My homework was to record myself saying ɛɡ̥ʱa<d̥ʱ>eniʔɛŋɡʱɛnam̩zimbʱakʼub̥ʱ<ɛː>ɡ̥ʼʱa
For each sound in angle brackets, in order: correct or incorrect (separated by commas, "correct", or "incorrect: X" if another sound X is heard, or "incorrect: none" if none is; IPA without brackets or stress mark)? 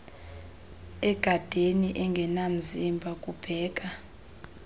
correct, correct